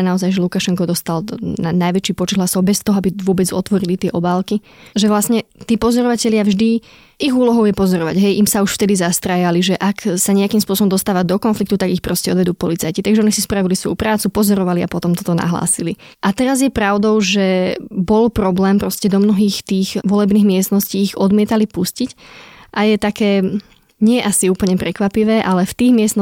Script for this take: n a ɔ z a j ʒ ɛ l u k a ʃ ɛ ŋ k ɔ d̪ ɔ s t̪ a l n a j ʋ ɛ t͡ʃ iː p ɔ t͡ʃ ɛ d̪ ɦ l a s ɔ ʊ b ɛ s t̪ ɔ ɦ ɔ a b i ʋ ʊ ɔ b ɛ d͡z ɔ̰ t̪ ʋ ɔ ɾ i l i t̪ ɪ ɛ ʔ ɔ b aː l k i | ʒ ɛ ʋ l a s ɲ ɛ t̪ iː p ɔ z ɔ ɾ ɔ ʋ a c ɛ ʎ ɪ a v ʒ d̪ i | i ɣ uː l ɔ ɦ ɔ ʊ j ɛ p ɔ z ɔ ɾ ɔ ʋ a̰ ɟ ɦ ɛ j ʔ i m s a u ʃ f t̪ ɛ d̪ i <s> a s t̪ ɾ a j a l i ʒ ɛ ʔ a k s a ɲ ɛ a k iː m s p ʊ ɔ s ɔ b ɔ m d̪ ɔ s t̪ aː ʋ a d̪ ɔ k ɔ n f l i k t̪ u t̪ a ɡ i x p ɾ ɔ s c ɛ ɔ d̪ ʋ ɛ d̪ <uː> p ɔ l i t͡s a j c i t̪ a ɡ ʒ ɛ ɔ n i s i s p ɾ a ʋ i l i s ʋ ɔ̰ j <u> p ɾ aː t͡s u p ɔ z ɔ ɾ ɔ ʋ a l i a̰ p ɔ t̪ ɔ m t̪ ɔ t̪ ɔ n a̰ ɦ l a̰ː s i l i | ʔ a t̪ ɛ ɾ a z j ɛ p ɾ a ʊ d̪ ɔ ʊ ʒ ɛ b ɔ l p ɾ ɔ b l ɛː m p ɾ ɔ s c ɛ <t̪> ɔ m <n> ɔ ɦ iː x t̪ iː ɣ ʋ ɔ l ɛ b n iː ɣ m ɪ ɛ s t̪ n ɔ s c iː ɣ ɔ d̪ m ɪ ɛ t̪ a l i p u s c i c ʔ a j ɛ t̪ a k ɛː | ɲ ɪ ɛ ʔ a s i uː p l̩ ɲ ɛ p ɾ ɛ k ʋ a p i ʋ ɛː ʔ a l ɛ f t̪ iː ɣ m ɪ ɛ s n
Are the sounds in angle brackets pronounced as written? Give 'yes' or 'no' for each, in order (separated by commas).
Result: no, yes, yes, no, yes